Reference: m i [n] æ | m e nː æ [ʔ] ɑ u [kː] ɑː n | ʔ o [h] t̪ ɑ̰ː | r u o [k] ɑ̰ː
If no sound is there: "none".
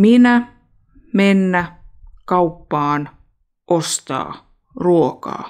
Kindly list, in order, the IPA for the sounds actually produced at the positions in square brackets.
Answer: n, k, pː, s, k

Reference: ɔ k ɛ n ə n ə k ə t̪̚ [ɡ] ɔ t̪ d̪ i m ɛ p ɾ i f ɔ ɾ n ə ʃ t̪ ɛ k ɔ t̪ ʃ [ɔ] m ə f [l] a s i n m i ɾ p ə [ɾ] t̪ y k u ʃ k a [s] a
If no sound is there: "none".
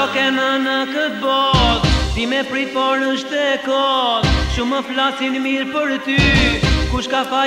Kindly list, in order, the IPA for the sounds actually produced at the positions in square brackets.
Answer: b, u, l, ɾ, f

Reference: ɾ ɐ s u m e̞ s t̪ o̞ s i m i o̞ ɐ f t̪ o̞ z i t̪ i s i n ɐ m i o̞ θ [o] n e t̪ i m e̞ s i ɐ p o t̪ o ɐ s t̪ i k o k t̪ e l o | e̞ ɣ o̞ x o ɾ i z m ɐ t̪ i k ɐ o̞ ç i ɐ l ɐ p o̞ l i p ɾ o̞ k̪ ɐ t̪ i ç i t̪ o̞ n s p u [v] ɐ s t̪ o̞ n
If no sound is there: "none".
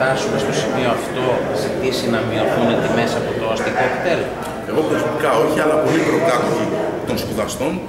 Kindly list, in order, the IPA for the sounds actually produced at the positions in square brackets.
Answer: u, ð

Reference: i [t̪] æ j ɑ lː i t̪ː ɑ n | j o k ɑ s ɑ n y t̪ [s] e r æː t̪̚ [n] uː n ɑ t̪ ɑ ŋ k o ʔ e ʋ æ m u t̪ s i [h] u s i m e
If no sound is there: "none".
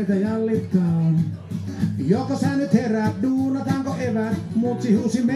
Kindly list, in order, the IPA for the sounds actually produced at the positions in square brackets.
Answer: t̪, h, d, h

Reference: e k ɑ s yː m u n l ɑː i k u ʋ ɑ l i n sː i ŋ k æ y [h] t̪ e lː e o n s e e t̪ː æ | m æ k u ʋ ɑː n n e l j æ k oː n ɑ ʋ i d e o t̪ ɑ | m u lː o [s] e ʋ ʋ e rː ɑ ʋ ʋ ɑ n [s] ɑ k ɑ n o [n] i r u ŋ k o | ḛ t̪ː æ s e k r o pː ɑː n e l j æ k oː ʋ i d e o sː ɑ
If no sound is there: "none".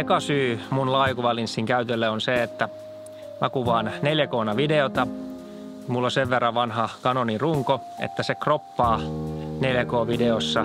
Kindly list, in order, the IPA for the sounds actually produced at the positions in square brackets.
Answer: none, s, h, n

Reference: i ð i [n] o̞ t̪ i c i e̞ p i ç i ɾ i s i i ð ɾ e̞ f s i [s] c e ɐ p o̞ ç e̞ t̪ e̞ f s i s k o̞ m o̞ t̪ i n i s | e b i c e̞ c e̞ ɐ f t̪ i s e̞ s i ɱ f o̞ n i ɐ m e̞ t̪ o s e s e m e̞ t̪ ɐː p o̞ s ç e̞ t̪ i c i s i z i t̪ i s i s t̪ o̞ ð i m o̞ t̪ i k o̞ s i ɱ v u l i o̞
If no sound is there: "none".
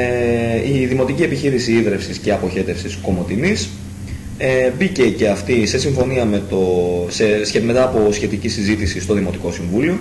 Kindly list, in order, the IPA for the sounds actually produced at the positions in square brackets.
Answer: m, s

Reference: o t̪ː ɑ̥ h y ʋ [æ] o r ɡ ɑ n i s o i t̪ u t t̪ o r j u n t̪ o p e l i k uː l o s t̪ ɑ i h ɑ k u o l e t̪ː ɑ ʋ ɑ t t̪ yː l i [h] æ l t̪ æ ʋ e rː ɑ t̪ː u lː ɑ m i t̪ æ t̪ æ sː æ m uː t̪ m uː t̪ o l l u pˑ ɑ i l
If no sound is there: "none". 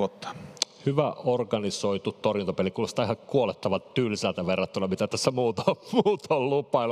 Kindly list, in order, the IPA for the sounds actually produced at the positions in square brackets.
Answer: æ, s

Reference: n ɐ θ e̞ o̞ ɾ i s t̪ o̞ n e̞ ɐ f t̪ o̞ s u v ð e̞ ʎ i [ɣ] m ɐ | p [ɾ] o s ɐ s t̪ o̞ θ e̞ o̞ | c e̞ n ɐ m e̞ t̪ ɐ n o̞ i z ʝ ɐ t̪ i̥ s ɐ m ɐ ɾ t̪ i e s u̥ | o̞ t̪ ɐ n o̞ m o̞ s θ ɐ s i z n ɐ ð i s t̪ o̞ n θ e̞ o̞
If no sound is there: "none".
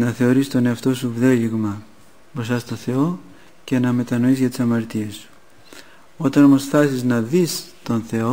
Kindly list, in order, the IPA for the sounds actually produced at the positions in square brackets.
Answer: ɣ, ɾ

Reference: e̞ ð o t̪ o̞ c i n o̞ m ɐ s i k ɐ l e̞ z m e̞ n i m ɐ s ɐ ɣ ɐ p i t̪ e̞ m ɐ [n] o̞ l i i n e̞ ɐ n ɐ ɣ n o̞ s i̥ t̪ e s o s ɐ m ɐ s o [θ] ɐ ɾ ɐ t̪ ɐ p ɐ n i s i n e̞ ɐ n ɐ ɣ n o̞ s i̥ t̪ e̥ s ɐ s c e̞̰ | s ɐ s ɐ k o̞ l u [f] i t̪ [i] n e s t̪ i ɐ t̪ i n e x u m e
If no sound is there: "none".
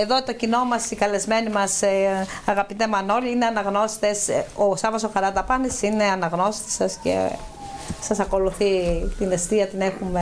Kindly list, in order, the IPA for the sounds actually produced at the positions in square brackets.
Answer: n, x, θ, i

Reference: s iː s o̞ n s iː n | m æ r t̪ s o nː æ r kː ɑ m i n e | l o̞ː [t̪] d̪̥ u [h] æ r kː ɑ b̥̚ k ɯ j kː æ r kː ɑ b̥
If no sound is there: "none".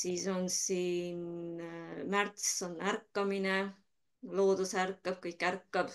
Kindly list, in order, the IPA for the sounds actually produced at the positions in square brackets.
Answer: none, s

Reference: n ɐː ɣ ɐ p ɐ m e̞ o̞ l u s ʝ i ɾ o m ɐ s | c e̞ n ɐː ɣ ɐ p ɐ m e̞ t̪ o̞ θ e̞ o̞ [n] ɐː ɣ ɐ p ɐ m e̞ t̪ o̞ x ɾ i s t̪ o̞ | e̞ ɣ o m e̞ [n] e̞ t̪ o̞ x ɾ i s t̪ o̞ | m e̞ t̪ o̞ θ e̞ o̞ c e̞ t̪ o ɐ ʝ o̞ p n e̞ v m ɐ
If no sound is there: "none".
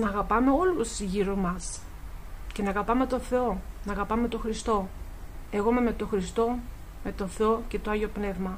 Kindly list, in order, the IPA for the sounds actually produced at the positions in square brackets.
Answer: n, m

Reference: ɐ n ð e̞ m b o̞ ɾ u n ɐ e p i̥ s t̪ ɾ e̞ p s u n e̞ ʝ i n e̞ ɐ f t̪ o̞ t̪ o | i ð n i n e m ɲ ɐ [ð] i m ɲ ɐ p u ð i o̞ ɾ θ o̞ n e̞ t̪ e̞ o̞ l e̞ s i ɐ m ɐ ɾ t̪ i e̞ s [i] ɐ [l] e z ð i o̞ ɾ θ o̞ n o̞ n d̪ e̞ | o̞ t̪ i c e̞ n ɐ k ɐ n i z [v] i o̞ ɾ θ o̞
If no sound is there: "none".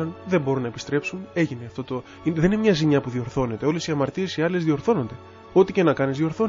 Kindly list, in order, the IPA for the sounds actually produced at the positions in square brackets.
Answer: z, i, l, ð

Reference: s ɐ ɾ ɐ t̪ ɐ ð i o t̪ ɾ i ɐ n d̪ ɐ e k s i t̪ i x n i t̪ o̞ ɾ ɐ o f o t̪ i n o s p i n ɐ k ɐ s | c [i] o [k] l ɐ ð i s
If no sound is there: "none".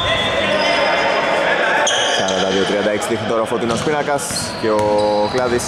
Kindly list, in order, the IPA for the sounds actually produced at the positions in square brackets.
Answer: e, k

